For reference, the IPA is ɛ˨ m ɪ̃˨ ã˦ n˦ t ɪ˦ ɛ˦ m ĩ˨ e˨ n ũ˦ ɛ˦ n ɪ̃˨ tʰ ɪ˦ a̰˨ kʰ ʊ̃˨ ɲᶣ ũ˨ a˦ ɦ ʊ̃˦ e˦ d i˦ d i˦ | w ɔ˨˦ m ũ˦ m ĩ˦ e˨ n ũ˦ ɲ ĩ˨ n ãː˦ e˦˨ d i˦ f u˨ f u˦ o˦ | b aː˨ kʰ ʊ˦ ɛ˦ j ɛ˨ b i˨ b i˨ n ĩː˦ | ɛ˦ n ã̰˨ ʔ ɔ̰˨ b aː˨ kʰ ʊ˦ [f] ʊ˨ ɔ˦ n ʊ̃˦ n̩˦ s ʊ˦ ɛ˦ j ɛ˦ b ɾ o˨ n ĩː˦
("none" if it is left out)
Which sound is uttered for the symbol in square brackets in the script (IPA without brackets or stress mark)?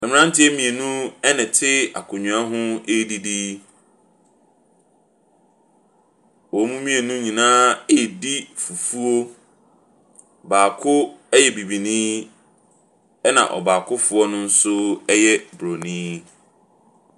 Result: f